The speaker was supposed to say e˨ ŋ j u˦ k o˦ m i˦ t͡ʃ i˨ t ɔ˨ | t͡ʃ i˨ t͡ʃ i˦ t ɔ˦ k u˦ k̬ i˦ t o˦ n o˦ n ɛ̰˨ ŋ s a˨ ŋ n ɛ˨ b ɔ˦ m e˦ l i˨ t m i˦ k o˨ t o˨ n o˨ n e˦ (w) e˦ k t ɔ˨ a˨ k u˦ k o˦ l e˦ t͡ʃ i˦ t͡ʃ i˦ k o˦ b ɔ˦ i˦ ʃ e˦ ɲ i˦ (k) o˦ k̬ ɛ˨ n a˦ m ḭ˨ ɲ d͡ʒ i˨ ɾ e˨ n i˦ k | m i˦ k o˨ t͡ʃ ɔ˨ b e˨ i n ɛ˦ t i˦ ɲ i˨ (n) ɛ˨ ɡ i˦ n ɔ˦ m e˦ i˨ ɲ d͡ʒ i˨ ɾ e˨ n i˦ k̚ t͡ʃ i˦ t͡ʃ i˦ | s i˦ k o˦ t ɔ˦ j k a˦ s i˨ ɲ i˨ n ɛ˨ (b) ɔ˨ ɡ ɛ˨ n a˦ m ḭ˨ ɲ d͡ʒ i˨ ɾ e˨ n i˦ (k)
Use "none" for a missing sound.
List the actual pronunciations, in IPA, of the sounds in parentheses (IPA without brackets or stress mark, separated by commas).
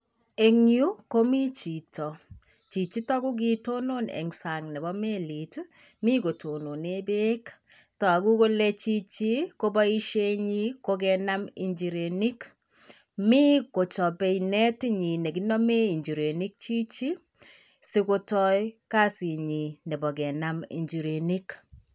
b, k, n, b, k